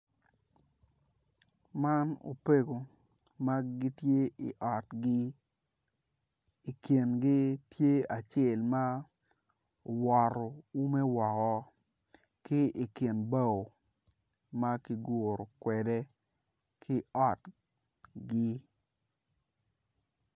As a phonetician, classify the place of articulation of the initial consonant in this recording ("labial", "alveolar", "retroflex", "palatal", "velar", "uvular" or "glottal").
labial